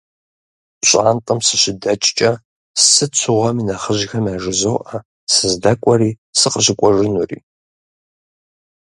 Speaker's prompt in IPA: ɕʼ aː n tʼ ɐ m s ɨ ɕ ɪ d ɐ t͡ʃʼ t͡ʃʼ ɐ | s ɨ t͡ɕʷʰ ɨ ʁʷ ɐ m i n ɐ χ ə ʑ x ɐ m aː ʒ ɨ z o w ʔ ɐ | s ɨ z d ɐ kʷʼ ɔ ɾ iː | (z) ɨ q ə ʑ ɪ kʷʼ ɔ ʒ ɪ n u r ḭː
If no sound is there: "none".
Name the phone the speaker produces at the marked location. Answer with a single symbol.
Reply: s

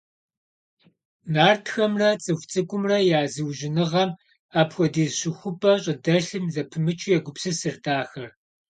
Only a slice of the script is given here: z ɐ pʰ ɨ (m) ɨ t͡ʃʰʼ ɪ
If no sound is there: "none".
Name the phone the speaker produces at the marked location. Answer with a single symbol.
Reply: m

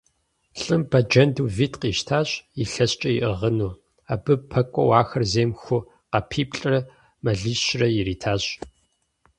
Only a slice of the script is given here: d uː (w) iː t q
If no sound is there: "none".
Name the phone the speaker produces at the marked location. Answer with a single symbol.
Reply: v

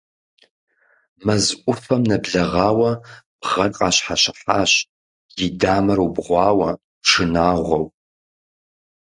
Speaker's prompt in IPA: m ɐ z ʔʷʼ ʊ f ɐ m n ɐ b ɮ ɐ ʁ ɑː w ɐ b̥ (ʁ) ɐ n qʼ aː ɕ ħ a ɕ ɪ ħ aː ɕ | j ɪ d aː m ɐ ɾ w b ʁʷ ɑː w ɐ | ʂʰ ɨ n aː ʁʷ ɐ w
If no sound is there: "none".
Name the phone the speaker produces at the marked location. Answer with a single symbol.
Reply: ʁ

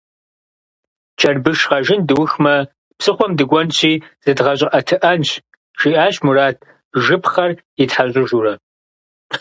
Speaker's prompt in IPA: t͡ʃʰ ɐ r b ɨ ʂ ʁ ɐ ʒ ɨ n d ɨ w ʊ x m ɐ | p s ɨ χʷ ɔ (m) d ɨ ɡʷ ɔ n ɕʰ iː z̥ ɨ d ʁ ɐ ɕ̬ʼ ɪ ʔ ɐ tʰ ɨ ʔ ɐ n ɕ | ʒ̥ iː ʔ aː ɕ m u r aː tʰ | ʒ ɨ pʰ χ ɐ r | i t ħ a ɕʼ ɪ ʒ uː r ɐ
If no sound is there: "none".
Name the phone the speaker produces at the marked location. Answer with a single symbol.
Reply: m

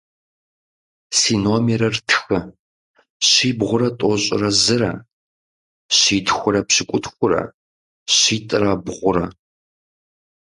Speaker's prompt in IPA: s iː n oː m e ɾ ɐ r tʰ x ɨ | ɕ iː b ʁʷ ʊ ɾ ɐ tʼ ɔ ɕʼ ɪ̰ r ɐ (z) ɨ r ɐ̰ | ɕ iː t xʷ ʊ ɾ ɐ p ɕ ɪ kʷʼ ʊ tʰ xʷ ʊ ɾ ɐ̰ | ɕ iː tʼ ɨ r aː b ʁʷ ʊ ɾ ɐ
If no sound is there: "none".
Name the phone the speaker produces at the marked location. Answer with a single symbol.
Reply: z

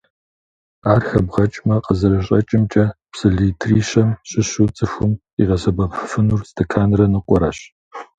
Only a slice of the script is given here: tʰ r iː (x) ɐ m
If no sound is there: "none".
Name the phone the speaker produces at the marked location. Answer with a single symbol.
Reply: ɕ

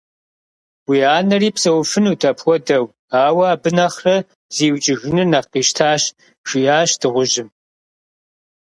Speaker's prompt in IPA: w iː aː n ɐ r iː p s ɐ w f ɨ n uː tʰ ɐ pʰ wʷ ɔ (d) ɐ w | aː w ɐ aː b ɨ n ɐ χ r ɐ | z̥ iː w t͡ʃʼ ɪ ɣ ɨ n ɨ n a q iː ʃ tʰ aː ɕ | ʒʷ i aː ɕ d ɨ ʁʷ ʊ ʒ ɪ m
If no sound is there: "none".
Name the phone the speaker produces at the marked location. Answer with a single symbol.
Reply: d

